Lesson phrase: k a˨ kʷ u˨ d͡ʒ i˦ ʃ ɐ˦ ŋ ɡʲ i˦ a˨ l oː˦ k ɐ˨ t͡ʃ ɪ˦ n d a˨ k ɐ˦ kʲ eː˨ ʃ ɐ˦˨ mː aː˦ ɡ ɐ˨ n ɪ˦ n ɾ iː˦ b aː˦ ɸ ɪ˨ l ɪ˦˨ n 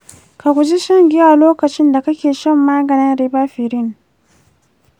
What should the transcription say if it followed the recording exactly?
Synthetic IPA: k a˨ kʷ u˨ d͡ʒ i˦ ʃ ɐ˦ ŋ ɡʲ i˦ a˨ l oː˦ k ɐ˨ t͡ʃ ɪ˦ n d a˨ k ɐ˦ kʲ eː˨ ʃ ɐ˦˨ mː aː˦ ɡ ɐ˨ n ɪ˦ n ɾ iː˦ b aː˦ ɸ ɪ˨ ɾ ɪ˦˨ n